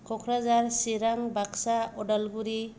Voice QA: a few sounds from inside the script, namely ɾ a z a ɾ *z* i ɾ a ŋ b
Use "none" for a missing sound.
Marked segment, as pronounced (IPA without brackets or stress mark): s